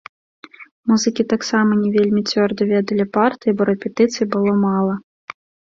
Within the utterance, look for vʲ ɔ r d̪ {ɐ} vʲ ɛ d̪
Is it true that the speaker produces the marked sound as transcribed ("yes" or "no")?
yes